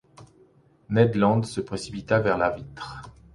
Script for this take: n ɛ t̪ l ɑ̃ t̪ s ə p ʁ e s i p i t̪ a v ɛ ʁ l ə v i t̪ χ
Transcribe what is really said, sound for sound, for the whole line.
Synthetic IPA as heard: n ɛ d̪ l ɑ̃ d̪ s ə p χ e s i p i t̪ a v ɛ ʁ l a v i t̪ χ